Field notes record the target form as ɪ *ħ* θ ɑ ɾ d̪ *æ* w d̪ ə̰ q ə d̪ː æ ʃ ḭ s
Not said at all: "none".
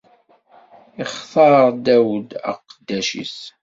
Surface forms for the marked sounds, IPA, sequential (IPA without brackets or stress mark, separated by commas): χ, æ